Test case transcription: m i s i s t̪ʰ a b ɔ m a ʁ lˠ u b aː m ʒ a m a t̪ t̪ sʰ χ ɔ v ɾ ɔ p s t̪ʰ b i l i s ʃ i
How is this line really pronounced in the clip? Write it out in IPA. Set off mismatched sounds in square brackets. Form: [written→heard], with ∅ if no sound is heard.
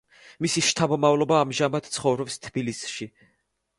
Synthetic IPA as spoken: m i s i [s→ʃ] t̪ʰ a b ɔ m a [ʁ→v] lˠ [u→ɔ] b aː m ʒ a m a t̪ t̪ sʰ χ ɔ v ɾ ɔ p s t̪ʰ b i l i s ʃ i